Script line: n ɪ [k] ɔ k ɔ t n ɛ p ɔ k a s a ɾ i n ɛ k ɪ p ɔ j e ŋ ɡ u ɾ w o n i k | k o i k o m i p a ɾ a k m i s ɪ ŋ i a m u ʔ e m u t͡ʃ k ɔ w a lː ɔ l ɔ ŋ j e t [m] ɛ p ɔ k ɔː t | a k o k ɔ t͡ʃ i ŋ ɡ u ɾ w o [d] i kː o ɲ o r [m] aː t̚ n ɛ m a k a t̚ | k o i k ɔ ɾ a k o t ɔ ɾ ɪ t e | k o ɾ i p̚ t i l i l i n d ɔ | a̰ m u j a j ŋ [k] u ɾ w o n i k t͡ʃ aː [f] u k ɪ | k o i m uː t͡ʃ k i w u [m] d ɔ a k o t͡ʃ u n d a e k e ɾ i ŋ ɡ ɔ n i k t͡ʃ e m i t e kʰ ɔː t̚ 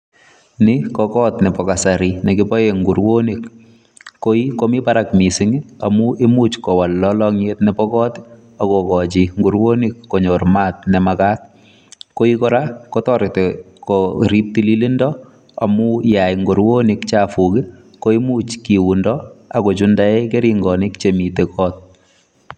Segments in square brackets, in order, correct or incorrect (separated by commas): correct, incorrect, incorrect, correct, incorrect, correct, incorrect